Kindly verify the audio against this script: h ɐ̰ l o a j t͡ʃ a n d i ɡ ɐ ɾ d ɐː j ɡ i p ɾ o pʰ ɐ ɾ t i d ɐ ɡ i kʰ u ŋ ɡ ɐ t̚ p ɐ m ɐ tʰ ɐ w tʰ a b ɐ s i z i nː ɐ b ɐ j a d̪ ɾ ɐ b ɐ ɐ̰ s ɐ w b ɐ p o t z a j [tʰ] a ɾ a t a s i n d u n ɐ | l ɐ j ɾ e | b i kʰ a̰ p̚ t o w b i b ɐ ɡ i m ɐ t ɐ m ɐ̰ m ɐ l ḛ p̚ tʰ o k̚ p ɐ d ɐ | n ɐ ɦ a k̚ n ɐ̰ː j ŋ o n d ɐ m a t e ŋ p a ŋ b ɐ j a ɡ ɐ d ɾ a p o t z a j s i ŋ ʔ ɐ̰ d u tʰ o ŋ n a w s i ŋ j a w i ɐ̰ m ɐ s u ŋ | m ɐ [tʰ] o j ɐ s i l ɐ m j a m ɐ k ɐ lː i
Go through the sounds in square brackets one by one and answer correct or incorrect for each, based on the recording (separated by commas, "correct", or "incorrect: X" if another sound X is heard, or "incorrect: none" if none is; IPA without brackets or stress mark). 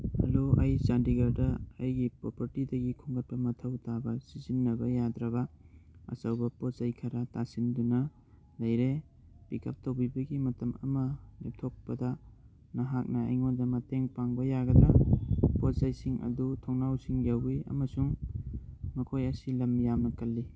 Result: incorrect: kʰ, incorrect: kʰ